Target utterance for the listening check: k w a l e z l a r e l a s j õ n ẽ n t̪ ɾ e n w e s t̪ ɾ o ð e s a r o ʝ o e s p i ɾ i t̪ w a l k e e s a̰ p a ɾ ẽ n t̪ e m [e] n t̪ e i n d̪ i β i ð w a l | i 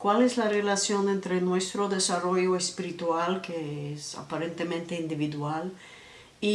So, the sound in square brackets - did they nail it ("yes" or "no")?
no